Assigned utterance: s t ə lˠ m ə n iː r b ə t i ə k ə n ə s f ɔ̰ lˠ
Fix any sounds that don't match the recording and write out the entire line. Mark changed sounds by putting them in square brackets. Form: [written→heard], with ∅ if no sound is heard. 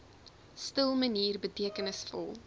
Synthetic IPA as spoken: s t ə lˠ m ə n iː r b ə t i ə k ə n ə s f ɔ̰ lˠ